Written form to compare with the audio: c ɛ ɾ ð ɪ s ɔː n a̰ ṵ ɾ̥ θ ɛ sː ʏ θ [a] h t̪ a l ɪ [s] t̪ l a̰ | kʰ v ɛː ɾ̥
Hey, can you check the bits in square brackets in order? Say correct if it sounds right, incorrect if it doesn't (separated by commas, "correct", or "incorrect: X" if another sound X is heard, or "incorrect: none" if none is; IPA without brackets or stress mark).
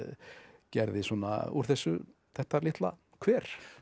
incorrect: ɛ, incorrect: h